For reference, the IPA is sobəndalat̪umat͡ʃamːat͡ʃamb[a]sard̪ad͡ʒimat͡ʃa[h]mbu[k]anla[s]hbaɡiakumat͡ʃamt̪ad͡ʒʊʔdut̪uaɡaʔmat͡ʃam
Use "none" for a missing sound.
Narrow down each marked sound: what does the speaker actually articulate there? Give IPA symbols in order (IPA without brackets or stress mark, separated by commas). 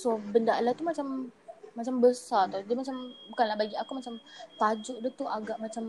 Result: ə, none, k, none